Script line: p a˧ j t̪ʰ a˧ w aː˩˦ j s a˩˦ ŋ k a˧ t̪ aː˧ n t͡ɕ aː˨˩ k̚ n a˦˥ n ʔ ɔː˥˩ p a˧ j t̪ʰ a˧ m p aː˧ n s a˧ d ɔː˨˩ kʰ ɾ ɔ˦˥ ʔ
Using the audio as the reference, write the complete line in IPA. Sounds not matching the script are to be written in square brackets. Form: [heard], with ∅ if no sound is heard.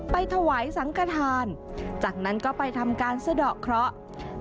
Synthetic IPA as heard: p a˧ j t̪ʰ a˧ w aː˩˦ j s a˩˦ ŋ k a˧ [t̪ʰ] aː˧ n t͡ɕ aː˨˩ k̚ n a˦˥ n [k] ɔː˥˩ p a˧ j t̪ʰ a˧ m [k] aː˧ n s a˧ d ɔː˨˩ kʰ ɾ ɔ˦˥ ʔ